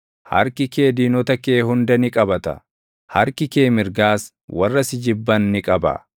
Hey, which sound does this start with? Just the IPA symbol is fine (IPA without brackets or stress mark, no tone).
h